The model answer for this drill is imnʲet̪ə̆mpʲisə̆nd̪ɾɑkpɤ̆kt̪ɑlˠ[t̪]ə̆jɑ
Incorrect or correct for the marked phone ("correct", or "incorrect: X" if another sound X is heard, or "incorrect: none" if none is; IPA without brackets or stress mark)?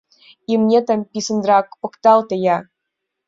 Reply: correct